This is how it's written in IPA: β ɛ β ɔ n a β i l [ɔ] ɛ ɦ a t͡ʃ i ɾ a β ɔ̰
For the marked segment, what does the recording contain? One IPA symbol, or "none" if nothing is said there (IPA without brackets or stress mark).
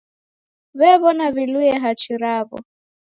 u